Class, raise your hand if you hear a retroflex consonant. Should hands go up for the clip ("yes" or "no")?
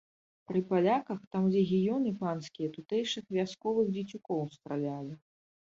yes